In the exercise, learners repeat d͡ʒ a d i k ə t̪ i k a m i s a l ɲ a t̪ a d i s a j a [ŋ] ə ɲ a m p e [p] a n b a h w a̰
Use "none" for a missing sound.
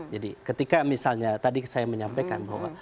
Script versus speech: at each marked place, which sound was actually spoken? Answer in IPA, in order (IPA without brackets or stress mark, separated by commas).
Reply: m, k